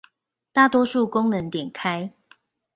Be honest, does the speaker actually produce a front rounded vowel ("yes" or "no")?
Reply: no